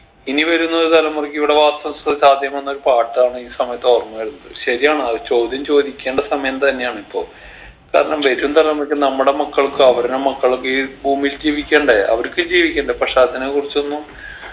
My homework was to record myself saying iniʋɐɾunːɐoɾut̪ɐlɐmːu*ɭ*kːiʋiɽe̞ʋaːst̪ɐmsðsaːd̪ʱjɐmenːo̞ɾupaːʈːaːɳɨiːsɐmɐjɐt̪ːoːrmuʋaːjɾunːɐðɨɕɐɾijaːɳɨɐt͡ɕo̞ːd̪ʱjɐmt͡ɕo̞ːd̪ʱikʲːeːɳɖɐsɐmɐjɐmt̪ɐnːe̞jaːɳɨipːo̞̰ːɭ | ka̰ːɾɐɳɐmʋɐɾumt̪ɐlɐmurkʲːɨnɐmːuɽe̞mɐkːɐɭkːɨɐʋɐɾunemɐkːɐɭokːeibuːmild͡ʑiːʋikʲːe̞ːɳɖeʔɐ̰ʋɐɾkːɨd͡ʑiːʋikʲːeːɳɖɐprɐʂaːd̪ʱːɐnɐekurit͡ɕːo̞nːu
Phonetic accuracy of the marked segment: incorrect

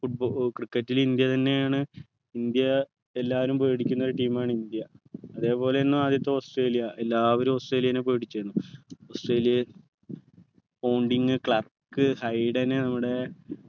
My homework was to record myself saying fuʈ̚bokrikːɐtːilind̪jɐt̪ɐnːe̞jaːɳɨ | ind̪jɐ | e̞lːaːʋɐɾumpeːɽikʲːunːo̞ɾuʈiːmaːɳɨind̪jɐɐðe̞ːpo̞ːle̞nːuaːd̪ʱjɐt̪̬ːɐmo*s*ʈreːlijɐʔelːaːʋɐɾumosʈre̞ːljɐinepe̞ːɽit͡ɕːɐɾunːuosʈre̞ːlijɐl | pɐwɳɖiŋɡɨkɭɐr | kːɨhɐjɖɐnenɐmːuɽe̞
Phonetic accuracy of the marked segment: correct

